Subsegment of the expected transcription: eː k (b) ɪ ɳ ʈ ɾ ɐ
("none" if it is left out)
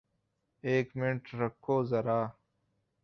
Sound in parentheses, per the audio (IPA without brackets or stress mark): m